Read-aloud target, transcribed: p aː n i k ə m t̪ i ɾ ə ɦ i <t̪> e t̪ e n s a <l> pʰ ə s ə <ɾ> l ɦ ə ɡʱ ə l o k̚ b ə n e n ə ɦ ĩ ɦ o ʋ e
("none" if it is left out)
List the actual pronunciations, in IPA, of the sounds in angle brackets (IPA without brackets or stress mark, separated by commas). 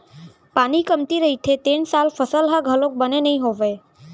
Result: t̪ʰ, l, none